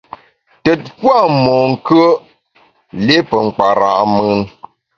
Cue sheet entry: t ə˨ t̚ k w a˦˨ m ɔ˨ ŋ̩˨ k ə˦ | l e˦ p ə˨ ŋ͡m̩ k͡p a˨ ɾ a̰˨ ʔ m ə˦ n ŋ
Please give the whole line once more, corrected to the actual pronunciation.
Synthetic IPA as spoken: t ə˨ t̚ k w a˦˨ m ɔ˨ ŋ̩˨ k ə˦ | l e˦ p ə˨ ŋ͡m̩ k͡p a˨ ɾ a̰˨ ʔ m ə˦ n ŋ